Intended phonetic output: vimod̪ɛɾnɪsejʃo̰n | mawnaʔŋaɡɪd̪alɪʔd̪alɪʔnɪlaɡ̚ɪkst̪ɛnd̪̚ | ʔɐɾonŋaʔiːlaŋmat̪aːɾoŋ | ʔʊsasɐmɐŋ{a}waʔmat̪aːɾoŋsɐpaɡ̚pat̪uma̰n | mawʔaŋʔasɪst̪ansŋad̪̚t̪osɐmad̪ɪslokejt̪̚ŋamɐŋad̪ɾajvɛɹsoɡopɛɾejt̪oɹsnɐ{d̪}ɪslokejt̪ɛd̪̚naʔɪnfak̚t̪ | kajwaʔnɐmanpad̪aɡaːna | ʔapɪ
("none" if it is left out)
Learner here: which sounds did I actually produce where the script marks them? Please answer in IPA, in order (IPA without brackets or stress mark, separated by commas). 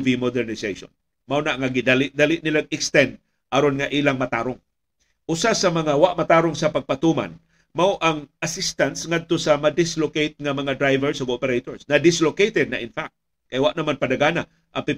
a, d̪